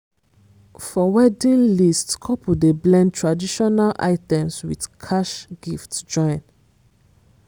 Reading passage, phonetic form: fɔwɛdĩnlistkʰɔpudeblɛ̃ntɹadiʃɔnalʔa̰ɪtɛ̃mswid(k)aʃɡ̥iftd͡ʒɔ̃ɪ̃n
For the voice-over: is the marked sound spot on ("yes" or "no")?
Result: no